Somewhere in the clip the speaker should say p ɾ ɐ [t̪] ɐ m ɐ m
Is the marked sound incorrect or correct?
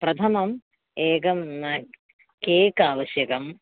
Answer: incorrect